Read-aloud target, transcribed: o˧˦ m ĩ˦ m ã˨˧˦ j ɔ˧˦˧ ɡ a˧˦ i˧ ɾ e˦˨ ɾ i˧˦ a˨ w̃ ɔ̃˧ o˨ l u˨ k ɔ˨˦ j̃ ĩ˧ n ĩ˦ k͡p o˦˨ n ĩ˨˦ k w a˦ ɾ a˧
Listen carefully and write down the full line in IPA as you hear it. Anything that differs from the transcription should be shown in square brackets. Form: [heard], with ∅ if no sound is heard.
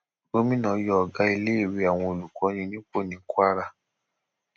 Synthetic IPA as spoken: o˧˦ m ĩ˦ [n] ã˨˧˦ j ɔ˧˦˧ ɡ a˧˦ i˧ [l] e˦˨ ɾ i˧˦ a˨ w̃ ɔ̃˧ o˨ l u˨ k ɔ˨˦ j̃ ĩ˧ n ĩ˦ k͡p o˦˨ n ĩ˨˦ k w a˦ ɾ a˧